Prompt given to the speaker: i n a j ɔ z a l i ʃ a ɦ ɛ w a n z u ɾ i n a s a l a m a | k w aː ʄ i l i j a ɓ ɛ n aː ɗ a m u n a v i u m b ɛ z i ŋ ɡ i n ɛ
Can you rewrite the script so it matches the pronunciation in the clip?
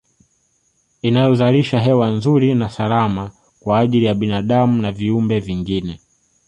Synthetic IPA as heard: i n a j ɔ z a l i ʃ a ɦ ɛ w a n z u ɾ i n a s a l a m a | k w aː ʄ i l i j a ɓ i n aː ɗ a m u n a v i u m b ɛ v i ŋ ɡ i n ɛ